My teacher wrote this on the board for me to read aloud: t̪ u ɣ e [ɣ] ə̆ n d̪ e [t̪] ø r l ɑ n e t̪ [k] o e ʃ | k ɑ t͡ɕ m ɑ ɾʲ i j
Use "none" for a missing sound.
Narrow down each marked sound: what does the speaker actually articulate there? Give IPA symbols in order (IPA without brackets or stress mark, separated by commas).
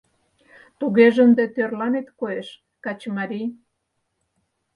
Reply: ʒ, t̪, k